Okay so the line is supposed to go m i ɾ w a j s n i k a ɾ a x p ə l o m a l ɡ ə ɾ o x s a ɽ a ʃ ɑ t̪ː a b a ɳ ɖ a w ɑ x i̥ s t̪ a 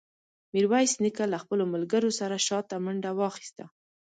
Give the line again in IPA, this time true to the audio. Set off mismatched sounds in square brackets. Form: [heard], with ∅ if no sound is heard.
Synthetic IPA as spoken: m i ɾ w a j s n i k a [l] a x p ə l o m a l ɡ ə ɾ o [∅] s a [ɾ] a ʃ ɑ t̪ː a [m] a ɳ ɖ a w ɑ x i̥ s t̪ a